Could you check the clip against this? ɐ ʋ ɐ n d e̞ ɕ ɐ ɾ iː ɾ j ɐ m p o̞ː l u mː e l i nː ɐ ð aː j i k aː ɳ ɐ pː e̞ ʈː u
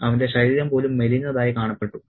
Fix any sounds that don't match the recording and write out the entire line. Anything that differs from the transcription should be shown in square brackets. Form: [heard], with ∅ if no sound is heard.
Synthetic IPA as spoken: ɐ ʋ ɐ n d e̞ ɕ ɐ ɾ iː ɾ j ɐ m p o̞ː l u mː e l i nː ɐ ð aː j i k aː ɳ ɐ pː e̞ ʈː u